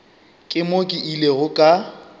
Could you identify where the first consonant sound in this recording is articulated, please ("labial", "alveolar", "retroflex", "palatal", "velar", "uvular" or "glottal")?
velar